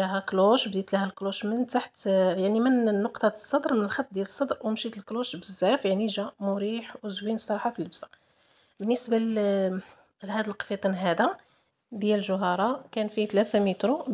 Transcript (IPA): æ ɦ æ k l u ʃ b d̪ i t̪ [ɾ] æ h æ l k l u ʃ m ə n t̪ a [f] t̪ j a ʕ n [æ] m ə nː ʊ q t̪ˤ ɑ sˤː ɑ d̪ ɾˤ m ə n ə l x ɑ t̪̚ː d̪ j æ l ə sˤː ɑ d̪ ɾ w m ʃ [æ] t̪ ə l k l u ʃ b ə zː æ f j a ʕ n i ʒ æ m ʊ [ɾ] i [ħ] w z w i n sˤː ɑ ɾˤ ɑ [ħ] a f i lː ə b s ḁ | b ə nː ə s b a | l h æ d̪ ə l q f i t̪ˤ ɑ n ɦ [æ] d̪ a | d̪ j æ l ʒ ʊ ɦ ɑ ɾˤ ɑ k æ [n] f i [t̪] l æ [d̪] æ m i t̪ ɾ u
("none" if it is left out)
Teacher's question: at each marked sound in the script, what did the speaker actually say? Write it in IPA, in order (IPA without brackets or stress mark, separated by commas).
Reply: l, ħ, i, i, ɾ, ħ, ħ, æ, n, t̪, t̪